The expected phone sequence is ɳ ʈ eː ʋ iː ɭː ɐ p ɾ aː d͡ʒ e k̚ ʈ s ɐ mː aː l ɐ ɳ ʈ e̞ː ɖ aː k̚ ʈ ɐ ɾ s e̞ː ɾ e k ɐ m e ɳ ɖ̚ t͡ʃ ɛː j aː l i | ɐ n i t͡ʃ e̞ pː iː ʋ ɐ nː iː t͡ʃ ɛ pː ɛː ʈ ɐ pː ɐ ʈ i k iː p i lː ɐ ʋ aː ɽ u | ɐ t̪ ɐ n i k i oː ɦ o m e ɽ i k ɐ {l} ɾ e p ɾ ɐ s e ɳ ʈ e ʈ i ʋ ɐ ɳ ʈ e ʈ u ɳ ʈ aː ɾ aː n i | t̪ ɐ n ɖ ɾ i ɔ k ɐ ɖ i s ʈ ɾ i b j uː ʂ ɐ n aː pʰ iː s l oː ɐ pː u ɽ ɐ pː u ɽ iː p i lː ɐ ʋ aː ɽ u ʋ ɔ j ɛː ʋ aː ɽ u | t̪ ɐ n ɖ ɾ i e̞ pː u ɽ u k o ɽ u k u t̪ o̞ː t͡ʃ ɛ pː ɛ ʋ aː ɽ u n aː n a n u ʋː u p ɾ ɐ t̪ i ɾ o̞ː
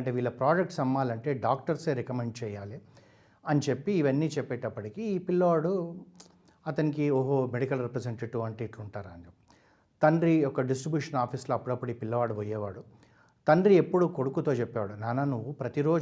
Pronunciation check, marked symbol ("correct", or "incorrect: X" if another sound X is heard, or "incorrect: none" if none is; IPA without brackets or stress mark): correct